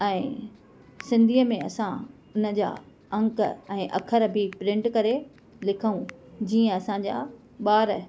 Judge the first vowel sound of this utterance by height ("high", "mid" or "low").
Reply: mid